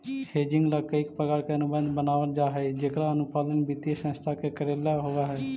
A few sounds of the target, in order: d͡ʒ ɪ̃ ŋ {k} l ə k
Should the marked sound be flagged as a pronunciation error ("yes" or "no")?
yes